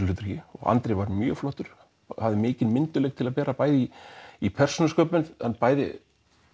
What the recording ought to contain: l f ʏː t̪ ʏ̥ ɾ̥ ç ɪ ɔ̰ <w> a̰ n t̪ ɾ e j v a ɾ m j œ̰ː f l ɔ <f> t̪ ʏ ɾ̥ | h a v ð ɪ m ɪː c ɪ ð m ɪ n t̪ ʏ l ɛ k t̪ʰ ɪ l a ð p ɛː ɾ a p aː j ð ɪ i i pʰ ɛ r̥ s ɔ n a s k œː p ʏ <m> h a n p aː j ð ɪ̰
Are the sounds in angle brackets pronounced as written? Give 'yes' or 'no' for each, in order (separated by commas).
no, no, no